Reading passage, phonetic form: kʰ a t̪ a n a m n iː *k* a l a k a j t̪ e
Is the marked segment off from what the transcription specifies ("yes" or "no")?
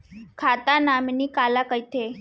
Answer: no